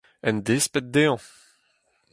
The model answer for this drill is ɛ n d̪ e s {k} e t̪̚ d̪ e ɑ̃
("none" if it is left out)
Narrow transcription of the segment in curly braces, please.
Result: p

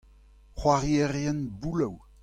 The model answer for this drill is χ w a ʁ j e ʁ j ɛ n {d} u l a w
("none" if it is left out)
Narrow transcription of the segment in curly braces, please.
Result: b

